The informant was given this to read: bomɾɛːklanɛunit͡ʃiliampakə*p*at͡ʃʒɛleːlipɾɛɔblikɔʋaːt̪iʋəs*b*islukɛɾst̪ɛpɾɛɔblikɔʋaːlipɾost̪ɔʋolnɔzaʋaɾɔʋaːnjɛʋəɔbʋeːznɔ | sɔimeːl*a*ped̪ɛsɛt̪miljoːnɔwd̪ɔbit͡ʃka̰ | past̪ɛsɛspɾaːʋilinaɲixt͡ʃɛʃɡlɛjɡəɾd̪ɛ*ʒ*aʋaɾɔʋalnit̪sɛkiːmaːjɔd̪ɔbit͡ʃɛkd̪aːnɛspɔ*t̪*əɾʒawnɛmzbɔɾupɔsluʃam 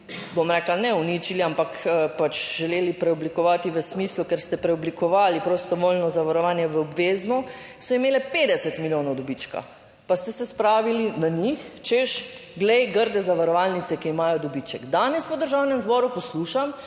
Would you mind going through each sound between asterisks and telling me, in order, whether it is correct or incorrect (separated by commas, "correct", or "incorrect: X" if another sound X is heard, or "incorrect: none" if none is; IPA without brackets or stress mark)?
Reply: correct, incorrect: m, incorrect: ɛ, incorrect: z, incorrect: d̪